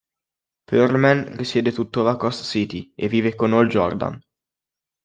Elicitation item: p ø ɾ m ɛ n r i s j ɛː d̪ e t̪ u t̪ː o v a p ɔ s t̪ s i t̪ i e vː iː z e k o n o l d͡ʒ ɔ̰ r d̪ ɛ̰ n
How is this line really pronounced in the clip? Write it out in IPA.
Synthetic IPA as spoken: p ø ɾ m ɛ n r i s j ɛː d̪ e t̪ u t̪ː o v a k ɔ s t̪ s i t̪ i e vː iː v e k o n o l d͡ʒ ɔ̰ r d̪ a̰ n